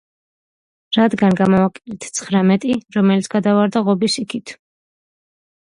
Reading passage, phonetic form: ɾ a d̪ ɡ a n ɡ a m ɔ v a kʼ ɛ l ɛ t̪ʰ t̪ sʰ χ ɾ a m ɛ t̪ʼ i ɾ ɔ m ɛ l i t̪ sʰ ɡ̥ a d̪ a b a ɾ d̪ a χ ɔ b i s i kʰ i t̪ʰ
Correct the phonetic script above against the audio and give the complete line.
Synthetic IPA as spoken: ɾ a d̪ ɡ a n ɡ a m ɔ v a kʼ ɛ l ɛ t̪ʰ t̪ sʰ χ ɾ a m ɛ t̪ʼ i ɾ ɔ m ɛ l i t̪ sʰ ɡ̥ a d̪ a v a ɾ d̪ a ʁ ɔ b i s i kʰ i t̪ʰ